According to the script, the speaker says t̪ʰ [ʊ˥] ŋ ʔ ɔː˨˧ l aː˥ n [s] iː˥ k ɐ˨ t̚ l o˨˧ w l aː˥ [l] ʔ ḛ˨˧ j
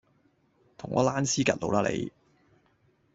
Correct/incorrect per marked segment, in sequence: incorrect, correct, correct

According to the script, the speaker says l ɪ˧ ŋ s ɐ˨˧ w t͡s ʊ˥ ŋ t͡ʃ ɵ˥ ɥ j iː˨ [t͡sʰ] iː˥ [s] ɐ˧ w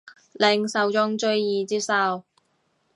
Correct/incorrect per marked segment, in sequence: incorrect, correct

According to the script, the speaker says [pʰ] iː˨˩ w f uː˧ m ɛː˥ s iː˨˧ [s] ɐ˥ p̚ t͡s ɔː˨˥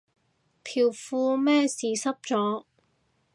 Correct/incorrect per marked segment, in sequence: correct, correct

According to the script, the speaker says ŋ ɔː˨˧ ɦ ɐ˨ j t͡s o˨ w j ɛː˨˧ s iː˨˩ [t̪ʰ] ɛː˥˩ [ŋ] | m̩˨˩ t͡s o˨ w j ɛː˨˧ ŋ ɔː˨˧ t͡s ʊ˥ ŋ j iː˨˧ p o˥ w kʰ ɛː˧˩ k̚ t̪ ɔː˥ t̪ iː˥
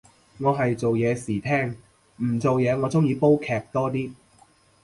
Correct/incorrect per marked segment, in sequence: correct, correct

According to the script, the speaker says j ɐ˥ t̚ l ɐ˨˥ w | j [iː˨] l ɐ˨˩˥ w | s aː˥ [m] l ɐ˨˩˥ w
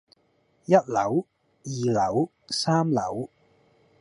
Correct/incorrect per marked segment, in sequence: correct, correct

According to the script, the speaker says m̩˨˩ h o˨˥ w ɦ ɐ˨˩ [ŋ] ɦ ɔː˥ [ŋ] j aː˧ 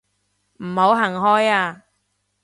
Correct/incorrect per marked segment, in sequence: correct, incorrect

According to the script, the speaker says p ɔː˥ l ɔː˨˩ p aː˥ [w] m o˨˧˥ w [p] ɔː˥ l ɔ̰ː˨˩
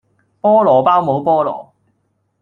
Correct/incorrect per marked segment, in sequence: correct, correct

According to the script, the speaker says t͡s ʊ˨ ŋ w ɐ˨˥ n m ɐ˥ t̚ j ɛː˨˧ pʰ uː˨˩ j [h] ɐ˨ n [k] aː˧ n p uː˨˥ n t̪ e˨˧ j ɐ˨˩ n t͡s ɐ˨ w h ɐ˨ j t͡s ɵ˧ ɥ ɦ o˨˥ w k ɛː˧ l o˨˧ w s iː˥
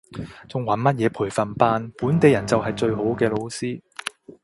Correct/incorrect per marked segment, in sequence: incorrect, incorrect

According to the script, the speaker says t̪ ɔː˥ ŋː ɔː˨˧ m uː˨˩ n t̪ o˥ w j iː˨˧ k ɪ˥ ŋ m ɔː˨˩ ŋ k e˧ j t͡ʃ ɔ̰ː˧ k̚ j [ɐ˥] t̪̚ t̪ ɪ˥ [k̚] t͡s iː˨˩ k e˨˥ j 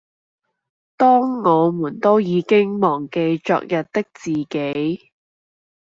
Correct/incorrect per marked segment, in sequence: incorrect, correct

